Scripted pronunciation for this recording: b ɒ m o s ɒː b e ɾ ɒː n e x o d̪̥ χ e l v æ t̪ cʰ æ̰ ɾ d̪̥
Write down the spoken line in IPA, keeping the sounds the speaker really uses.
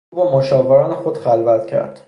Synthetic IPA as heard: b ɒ m o ʃ ɒː v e ɾ ɒː n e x o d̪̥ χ æ l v æ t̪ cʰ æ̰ ɾ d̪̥